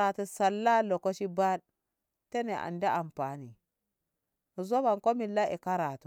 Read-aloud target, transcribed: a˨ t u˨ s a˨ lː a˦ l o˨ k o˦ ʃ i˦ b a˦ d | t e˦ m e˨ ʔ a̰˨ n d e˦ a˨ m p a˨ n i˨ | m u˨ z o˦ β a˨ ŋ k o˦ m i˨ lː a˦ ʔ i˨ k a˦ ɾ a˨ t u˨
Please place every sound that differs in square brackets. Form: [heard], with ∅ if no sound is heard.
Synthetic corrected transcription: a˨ t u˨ s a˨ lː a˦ l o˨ k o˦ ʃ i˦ b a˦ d | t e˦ [n] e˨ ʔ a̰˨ n d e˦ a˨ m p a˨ n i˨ | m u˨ z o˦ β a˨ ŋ k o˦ m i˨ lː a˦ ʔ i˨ k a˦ ɾ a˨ t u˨

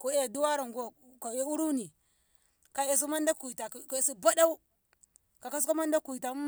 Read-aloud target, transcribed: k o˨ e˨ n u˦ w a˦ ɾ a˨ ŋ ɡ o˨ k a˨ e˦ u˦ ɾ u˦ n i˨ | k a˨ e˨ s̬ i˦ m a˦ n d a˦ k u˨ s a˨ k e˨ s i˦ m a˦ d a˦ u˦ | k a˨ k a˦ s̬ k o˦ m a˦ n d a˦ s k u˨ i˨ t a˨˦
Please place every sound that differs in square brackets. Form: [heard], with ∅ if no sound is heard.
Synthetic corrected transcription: k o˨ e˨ [d] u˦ w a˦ ɾ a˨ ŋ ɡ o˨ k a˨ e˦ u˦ ɾ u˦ n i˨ | k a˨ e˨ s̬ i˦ m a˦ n d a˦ k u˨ [t] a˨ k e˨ s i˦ [b] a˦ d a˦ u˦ | k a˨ k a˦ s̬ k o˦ m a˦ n d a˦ [∅] k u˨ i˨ t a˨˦

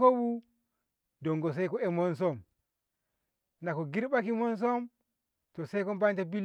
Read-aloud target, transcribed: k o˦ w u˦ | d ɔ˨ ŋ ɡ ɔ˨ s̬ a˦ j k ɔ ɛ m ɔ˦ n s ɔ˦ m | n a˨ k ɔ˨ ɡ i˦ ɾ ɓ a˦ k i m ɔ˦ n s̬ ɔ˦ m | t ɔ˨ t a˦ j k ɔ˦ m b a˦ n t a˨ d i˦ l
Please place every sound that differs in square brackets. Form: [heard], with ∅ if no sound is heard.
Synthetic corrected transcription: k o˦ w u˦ | d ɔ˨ ŋ ɡ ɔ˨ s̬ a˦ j k ɔ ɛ m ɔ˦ n s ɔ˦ m | n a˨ k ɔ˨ ɡ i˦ ɾ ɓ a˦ k i m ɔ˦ n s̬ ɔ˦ m | t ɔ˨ [s] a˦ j k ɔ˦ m b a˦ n t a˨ [b] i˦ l

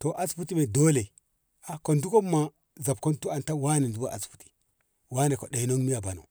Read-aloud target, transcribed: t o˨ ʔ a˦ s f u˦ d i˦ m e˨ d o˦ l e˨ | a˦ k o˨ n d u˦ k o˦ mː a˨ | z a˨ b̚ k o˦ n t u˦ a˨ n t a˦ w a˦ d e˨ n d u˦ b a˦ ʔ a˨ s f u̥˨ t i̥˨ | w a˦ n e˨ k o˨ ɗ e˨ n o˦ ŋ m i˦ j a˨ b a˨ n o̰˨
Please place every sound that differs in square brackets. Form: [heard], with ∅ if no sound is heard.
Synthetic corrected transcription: t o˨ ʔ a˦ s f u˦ [t] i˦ m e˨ d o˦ l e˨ | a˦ k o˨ n d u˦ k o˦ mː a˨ | z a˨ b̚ k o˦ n t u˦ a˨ n t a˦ w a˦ [n] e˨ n d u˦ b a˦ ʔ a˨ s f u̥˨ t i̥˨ | w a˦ n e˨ k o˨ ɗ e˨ n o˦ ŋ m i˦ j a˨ b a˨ n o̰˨

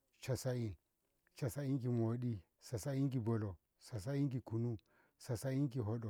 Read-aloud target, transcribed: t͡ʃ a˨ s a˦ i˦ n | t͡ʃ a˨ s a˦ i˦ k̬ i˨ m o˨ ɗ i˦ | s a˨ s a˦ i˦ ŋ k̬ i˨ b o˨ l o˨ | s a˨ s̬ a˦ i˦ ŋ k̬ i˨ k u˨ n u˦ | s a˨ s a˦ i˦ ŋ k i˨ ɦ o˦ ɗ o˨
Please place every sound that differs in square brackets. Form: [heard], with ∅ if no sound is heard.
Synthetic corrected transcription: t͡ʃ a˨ s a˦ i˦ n | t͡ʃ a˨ s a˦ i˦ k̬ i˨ m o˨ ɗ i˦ | s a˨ s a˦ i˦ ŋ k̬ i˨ b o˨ l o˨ | s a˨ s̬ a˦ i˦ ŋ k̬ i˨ k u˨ n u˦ | s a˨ s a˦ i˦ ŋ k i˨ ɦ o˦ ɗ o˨

